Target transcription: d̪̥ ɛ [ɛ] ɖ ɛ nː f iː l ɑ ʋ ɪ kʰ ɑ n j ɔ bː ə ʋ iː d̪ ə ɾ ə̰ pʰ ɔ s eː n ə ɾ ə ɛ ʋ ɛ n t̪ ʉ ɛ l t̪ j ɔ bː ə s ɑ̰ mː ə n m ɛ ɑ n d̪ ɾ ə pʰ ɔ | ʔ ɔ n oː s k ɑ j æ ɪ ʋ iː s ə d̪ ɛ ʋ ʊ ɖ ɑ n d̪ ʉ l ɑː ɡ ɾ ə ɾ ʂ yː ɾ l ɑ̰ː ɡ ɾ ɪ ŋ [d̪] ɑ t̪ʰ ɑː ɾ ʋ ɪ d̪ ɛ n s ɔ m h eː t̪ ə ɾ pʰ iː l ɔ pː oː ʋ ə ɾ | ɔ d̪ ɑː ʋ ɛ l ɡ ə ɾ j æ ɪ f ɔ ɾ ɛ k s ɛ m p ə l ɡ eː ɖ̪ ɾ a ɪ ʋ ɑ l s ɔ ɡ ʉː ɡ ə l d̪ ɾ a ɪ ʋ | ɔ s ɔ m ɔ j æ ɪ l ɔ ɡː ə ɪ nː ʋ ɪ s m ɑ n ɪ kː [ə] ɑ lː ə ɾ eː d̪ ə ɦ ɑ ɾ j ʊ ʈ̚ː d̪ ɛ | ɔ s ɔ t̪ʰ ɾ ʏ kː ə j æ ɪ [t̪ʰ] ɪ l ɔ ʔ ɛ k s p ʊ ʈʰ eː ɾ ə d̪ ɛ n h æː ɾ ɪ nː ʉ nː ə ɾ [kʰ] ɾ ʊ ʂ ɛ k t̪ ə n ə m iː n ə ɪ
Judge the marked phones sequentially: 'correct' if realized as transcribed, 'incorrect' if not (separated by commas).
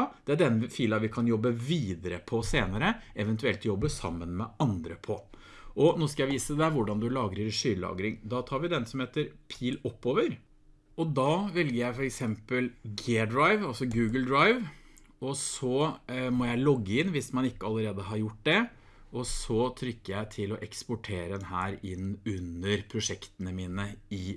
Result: incorrect, correct, correct, correct, incorrect